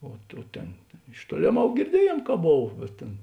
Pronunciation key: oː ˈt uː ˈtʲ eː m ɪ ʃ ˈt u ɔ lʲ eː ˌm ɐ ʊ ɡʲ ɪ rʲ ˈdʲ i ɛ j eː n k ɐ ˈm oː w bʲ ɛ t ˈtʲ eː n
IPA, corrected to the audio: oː ˈt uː ˈtʲ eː n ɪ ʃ ˈt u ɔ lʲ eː ˌm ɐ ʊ ɡʲ ɪ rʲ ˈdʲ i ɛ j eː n k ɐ ˈb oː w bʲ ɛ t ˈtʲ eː n